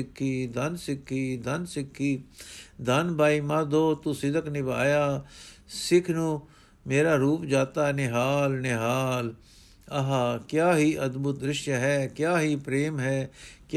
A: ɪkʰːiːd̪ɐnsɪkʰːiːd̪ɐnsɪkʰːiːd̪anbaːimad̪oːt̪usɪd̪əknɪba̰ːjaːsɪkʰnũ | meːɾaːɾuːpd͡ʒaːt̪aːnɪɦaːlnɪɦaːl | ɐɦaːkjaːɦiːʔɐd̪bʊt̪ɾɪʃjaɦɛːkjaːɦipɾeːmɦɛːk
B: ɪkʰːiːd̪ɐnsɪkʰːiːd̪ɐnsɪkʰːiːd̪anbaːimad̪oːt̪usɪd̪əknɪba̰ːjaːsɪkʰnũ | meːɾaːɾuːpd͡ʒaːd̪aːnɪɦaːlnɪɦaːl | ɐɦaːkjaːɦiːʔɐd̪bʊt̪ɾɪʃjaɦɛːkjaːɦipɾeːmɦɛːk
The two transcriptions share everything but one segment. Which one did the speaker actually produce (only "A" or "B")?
A